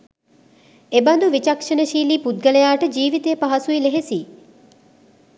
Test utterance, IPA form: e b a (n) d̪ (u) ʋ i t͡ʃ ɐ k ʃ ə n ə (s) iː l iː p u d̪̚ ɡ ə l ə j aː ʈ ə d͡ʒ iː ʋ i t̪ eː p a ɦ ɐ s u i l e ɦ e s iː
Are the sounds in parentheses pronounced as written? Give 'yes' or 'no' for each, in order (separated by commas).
yes, yes, no